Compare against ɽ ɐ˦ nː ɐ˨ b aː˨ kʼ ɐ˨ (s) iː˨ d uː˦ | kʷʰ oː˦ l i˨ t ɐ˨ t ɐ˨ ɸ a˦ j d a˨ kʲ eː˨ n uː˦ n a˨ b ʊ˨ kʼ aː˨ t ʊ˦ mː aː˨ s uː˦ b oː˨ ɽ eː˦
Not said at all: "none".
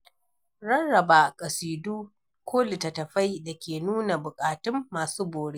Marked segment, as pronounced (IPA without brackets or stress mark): s